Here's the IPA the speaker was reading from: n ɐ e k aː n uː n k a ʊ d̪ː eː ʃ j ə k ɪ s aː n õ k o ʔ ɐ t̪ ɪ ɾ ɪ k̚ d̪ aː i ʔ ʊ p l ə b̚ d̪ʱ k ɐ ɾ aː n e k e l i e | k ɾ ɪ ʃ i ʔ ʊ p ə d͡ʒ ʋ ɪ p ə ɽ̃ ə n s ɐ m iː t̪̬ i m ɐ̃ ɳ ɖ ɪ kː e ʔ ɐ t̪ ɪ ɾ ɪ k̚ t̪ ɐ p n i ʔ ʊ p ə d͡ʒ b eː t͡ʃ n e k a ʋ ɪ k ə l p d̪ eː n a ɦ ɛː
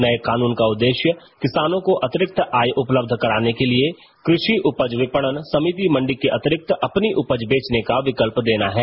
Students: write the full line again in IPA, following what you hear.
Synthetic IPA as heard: n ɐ e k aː n uː n k a ʊ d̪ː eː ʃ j ə k ɪ s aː n õ k o ʔ ɐ t̪ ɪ ɾ ɪ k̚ t̪ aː j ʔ ʊ p l ə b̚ d̪ʱ k ɐ ɾ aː n e k e l i e | k ɾ ɪ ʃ i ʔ ʊ p ə d͡ʒ ʋ ɪ p ə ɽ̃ ə n s ɐ m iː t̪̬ i m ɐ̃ ɳ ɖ ɪ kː e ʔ ɐ t̪ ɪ ɾ ɪ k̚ t̪ ɐ p n i ʔ ʊ p ə d͡ʒ b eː t͡ʃ n e k a ʋ ɪ k ə l p d̪ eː n a ɦ ɛː